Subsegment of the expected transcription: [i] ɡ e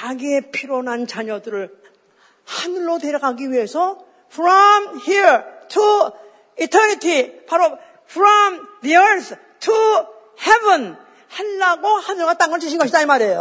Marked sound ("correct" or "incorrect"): incorrect